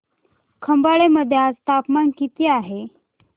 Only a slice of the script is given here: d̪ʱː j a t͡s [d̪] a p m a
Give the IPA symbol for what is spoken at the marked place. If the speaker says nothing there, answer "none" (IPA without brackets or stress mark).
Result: t̪